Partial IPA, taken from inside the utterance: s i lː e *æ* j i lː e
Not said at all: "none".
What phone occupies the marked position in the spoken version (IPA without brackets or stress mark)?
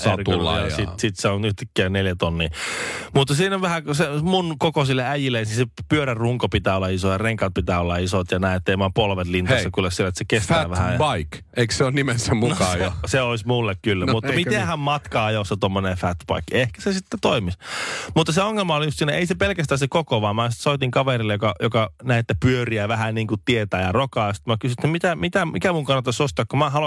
æ